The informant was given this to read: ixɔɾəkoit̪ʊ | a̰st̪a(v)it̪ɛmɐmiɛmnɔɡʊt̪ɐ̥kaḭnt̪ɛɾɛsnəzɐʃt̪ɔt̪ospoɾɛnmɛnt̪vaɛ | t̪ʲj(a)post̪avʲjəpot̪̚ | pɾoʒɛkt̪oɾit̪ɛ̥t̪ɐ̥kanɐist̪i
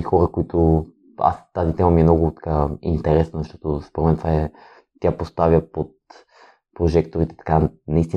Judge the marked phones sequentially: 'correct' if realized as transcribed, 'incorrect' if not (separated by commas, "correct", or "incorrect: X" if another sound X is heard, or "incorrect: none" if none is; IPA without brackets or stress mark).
incorrect: z, correct